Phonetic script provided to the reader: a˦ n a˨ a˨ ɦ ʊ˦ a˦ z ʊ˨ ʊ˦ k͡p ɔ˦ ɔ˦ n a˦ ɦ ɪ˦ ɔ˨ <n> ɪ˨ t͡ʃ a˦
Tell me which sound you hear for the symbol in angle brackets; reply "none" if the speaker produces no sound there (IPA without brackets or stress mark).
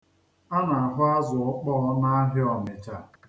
m